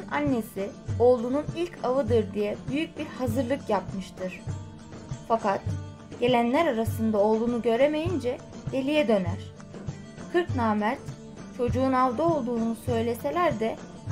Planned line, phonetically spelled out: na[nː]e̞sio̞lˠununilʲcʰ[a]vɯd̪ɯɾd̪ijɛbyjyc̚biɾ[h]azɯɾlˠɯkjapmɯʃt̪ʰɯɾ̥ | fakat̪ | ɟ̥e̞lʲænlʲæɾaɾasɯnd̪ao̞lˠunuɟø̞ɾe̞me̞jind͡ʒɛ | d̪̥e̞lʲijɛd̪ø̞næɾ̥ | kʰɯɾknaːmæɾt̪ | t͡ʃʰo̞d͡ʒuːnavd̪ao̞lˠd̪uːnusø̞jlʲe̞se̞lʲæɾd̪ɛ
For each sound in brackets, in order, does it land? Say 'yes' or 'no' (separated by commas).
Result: yes, yes, yes